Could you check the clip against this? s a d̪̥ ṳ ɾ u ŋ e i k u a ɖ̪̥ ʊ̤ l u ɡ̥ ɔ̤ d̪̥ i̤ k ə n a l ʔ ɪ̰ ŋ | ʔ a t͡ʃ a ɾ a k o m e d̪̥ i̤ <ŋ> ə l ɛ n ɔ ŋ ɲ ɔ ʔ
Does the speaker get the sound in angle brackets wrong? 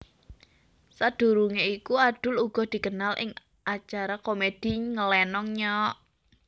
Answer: no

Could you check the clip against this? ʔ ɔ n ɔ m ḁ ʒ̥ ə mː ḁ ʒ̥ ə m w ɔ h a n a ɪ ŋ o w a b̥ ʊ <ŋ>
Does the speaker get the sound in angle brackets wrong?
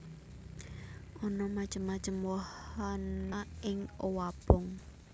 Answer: no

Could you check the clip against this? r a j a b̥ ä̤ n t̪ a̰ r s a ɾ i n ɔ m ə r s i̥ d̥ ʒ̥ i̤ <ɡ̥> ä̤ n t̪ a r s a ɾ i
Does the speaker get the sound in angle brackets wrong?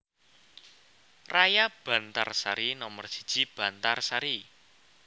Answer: yes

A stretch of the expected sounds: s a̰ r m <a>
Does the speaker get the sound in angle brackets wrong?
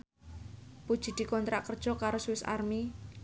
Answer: yes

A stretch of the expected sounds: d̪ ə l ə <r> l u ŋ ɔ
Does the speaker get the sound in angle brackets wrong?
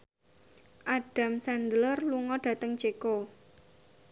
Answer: no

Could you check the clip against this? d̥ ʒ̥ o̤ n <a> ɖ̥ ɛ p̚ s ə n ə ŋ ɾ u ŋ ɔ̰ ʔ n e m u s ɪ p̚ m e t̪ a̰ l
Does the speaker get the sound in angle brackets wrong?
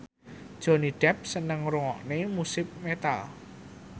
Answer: yes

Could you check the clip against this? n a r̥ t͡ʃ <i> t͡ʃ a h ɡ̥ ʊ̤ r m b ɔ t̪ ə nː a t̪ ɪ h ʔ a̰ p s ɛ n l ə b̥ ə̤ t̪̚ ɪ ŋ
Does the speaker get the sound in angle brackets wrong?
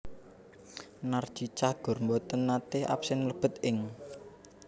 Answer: no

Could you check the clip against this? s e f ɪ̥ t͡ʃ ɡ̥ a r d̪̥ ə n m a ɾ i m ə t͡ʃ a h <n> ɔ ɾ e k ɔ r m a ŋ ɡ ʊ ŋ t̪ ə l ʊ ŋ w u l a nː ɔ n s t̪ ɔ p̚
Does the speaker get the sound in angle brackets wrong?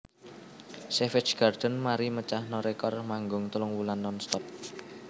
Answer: no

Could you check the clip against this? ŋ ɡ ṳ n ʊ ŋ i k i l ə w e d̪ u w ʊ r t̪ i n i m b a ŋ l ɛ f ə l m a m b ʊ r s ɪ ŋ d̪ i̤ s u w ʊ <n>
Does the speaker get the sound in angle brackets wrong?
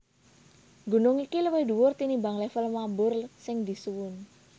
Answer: no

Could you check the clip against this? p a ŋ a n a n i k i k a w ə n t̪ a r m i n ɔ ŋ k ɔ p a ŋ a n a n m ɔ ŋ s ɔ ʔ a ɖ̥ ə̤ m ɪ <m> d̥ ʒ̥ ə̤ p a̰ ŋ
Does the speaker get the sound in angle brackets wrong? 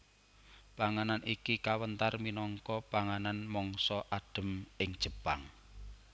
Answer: yes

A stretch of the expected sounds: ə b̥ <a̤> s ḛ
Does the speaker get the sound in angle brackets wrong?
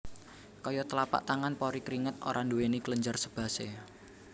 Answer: no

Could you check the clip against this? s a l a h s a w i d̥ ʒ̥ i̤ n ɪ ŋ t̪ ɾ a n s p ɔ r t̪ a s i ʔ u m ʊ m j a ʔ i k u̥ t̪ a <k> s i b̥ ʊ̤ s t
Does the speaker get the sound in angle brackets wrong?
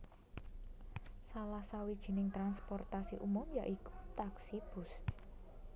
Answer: no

